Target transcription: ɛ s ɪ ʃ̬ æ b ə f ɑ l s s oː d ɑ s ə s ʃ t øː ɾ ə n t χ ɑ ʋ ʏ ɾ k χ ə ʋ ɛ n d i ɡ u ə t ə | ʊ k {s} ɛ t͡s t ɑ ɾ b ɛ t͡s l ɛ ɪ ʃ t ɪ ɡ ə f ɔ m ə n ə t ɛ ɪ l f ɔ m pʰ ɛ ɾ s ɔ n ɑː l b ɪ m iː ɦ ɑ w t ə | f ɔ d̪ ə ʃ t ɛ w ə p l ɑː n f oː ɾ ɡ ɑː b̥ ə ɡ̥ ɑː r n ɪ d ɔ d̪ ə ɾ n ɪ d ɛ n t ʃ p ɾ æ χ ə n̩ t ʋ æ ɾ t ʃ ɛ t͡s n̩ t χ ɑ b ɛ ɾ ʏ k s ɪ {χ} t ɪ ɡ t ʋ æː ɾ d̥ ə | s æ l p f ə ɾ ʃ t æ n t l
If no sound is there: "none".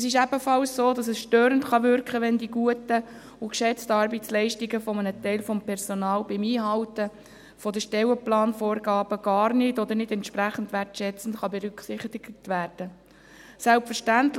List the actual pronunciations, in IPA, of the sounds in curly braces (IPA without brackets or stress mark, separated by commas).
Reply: ʃ, χ